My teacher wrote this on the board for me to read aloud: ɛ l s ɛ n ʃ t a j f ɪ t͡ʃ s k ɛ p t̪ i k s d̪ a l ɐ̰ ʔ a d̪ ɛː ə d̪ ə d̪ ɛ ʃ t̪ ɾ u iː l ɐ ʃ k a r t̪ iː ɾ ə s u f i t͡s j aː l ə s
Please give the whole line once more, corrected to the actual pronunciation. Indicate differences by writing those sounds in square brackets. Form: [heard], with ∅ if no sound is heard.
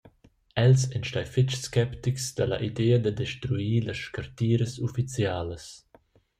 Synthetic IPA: ɛ l s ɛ n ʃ t a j f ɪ t͡ʃ s k ɛ p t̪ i k s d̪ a l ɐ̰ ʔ [i] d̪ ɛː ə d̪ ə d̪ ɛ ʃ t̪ ɾ u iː l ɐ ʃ k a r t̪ iː ɾ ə s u f i t͡s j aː l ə s